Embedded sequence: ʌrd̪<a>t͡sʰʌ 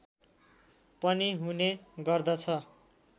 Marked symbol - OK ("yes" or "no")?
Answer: no